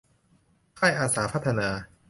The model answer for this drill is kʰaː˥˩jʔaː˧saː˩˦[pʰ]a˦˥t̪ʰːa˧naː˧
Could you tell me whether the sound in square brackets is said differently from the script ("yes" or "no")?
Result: no